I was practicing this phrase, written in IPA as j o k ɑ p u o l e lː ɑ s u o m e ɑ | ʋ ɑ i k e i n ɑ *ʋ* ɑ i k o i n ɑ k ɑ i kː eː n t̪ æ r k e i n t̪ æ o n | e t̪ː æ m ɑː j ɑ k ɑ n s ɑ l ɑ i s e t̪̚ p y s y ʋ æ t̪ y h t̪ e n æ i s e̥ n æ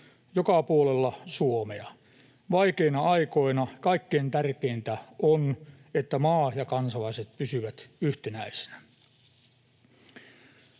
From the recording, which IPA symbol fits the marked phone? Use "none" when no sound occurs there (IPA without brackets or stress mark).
none